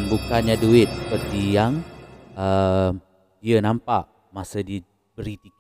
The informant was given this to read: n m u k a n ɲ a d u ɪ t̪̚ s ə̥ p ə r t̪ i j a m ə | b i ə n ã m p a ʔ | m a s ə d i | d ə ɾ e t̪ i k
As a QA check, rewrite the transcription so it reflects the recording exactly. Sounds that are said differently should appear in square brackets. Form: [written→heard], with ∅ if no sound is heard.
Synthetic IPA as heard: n [m→b] u k a n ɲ a d u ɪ t̪̚ s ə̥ p ə r t̪ i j a [m→ŋ] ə | [b→d] i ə n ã m p a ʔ | m a s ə d i | [d→b] ə ɾ [e→i] t̪ i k